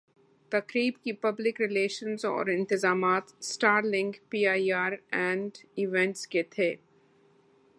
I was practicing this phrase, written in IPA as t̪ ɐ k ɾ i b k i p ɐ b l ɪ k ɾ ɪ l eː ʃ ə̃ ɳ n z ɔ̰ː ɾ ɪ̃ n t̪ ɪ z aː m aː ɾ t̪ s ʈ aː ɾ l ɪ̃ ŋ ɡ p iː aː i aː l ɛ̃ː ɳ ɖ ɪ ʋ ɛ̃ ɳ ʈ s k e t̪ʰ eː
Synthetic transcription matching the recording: t̪ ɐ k ɾ iː b k i p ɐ b l ɪ k ɾ ɪ l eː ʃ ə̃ n z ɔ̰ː ɾ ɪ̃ n t̪ ɪ z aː m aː t̪ s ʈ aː ɾ l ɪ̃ ŋ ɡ p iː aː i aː ɾ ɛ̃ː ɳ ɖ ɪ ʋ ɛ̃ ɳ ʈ s k e t̪ʰ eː